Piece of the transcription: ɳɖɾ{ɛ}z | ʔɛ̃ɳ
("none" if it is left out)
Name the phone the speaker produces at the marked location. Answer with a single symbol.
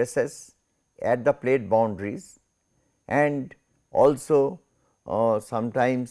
i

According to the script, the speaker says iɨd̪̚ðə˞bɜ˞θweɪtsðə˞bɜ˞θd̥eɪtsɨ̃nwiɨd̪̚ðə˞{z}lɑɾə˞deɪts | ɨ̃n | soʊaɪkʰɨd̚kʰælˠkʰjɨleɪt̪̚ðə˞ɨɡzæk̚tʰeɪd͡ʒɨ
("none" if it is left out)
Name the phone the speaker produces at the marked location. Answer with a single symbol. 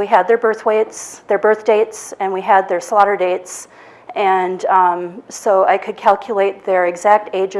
s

